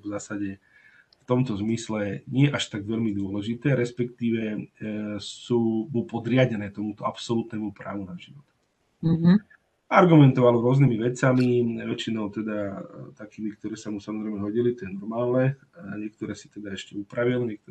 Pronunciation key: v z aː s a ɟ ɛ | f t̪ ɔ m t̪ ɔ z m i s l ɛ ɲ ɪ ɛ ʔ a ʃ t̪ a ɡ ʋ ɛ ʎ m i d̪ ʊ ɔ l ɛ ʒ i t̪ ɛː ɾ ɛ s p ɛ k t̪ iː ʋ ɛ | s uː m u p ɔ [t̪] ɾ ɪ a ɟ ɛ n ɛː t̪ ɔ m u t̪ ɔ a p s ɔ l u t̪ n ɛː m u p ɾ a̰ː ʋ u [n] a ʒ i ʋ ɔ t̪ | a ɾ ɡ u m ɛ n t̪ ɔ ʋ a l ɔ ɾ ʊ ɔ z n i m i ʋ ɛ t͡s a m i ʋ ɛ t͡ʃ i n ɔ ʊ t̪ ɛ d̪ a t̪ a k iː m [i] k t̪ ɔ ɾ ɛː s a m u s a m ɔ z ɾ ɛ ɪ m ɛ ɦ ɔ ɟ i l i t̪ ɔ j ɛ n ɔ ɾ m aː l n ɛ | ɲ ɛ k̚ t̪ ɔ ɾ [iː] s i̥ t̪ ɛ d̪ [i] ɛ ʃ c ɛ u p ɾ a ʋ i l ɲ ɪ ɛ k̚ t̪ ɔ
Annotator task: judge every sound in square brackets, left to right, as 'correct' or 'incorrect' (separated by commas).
incorrect, correct, correct, incorrect, incorrect